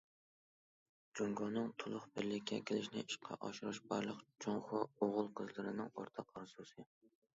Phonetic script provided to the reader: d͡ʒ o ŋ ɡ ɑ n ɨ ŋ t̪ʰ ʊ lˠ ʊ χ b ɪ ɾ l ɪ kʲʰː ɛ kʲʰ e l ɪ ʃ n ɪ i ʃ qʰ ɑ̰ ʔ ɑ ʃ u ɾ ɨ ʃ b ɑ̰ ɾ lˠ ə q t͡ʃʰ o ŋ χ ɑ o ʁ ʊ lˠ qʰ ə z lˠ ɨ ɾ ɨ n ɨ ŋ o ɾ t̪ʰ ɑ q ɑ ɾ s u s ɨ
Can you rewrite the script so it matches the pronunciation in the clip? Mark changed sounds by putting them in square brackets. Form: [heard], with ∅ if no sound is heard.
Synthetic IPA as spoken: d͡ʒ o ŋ ɡ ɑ n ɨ ŋ t̪ʰ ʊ lˠ ʊ χ b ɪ ɾ l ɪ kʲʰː ɛ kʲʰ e l ɪ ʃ n ɪ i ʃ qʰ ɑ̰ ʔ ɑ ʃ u ɾ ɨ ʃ b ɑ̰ ɾ lˠ ə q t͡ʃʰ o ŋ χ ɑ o ʁ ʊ lˠ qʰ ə z lˠ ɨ ɾ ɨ n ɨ ŋ o ɾ t̪ʰ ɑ q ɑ ɾ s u s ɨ

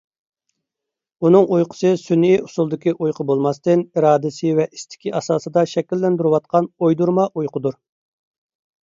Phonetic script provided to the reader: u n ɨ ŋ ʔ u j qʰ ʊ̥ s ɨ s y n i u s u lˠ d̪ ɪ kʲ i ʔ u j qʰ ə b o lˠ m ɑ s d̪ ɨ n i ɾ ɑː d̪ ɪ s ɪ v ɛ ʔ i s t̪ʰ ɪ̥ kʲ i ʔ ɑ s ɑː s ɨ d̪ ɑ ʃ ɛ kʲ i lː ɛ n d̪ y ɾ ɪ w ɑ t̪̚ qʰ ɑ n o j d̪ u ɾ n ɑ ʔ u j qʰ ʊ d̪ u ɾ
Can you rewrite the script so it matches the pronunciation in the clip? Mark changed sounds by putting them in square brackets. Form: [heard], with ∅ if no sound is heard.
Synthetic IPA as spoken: u n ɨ ŋ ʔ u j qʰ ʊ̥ s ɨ s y n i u s u lˠ d̪ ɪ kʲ i ʔ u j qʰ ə b o lˠ m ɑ s [t̪] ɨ n i ɾ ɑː d̪ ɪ s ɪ v ɛ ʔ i s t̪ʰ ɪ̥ kʲ i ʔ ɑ s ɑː s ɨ d̪ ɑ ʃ ɛ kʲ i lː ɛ n d̪ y ɾ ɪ w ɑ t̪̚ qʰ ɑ n o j d̪ u ɾ [m] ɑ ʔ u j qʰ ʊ d̪ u ɾ

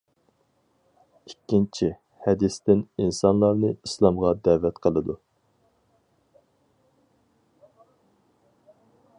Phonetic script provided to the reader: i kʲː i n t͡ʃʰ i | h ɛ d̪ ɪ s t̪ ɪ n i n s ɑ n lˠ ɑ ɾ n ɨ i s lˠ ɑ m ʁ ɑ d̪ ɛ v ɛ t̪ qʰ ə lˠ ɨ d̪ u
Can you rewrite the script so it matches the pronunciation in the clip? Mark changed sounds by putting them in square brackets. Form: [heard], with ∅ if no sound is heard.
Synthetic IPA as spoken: i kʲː i n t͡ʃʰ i | h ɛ d̪ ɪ s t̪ ɪ n i n s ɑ n lˠ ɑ ɾ n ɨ i s lˠ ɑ m ʁ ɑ d̪ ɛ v ɛ t̪ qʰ ə lˠ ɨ d̪ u

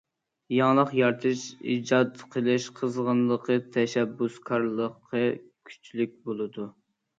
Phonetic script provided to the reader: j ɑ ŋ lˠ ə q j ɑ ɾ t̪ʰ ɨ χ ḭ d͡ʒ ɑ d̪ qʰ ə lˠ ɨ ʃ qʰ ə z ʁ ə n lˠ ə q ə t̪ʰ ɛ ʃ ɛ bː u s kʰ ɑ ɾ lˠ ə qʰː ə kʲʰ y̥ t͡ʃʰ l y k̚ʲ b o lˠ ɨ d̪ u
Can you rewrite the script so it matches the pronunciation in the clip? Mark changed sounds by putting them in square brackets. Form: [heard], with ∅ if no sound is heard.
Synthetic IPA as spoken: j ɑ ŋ lˠ ə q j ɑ ɾ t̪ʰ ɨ [ʃ] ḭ d͡ʒ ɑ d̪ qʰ ə lˠ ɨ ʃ qʰ ə z ʁ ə n lˠ ə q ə t̪ʰ ɛ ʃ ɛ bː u s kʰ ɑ ɾ lˠ ə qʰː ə kʲʰ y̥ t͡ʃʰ l y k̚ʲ b o lˠ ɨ d̪ u

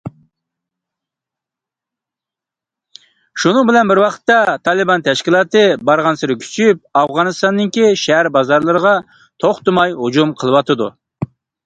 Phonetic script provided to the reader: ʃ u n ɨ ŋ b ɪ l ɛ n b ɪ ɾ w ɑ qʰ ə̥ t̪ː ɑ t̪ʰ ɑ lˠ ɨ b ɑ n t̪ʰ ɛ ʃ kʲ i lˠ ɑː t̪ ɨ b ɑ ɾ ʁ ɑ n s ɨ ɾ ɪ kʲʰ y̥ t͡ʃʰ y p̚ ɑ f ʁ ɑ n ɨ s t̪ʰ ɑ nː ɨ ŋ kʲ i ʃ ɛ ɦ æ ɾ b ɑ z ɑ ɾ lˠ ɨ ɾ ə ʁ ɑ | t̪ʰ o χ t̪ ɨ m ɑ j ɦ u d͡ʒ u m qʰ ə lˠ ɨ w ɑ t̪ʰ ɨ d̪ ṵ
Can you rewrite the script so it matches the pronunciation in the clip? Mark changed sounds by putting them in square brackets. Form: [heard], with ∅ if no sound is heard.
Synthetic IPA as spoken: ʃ u n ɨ ŋ b ɪ l ɛ n b ɪ ɾ w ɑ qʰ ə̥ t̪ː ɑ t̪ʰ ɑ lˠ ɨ b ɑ n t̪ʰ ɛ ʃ kʲ i lˠ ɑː t̪ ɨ b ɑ ɾ ʁ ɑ n s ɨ ɾ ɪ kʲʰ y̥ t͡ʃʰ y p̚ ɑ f ʁ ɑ n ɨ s [t̪] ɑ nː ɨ ŋ kʲ i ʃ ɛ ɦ æ ɾ b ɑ z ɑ ɾ lˠ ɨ ɾ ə ʁ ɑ | t̪ʰ o χ t̪ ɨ m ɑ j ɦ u d͡ʒ u m qʰ ə lˠ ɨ w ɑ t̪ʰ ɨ d̪ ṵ

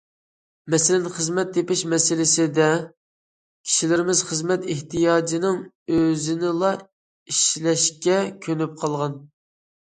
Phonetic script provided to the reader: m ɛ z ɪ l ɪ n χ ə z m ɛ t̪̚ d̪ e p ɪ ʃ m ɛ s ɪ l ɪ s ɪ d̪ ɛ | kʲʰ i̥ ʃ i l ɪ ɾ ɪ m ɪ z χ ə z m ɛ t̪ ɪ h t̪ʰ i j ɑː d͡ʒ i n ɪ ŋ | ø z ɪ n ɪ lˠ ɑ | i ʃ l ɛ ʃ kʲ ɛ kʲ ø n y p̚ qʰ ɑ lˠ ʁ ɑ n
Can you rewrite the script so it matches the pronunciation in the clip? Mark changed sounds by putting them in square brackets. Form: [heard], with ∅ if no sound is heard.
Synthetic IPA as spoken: m ɛ [s] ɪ l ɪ n χ ə z m ɛ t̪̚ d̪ e p ɪ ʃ m ɛ s ɪ l ɪ s ɪ d̪ ɛ | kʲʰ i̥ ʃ i l ɪ ɾ ɪ m ɪ z χ ə z m ɛ t̪ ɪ h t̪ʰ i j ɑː d͡ʒ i n ɪ ŋ | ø z ɪ n ɪ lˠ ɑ | i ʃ l ɛ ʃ kʲ ɛ [kʲʰ] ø n y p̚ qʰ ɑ lˠ ʁ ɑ n

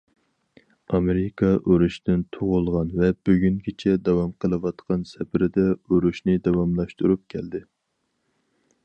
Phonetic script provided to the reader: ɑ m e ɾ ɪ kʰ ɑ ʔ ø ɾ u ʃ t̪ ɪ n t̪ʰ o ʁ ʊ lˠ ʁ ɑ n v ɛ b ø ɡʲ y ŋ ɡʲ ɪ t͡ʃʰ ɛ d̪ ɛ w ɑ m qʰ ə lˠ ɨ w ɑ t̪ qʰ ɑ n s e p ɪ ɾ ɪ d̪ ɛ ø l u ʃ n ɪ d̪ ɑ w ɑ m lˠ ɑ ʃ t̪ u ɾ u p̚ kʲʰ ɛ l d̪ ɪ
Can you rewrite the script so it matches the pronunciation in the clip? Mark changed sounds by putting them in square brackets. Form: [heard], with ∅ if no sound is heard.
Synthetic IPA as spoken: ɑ m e ɾ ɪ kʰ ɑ ʔ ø ɾ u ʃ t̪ ɪ n t̪ʰ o ʁ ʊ lˠ ʁ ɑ n v ɛ b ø ɡʲ y ŋ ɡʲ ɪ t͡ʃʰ ɛ d̪ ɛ w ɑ m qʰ ə lˠ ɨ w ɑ t̪ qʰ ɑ n s [ɛ] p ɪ ɾ ɪ d̪ ɛ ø [ɾ] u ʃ n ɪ d̪ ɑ w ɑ m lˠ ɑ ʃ t̪ u ɾ u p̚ kʲʰ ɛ l d̪ ɪ

